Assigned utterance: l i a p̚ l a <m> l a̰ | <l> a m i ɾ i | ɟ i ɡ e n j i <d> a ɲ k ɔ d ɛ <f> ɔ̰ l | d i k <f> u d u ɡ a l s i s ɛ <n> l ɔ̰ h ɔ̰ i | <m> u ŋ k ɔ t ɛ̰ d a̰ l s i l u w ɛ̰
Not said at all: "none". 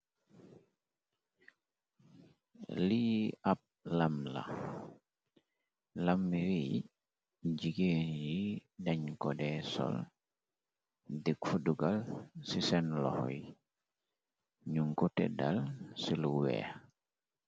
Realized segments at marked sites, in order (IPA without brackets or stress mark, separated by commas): m, l, d, s, f, n, ɲ